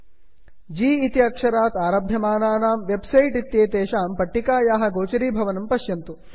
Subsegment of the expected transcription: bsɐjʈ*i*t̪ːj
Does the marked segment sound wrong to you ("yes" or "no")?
no